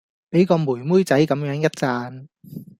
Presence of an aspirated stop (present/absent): absent